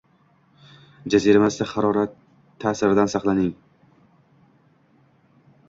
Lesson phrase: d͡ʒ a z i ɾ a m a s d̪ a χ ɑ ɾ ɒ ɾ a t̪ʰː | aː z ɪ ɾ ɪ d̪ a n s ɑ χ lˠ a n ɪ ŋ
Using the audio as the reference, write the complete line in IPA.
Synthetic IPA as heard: d͡ʒ a z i ɾ a m a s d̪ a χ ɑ ɾ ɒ ɾ a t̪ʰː | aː s ɪ ɾ ɪ d̪ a n s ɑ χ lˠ a n ɪ ŋ